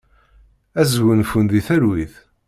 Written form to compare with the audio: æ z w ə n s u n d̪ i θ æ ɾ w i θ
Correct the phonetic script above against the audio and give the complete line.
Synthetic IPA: æ z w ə n f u n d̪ i θ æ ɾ w i θ